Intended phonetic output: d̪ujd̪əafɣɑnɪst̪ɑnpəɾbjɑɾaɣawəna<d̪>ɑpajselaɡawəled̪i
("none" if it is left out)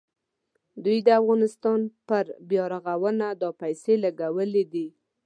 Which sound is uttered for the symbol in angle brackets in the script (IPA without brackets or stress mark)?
d̪